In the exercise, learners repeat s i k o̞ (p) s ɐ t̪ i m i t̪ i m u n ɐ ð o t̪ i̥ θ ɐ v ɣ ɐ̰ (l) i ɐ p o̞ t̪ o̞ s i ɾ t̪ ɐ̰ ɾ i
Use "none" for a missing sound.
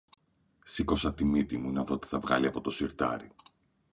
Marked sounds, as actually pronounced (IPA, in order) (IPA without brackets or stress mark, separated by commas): none, l